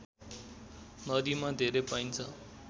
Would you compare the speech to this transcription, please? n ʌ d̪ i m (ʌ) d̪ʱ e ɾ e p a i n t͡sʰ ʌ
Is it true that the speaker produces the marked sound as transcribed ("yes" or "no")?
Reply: no